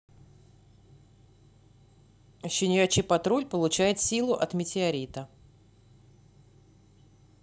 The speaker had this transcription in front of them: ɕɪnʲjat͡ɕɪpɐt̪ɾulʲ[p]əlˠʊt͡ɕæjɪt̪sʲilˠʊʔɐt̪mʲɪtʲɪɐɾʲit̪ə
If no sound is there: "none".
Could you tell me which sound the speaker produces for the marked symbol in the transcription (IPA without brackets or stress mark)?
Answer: p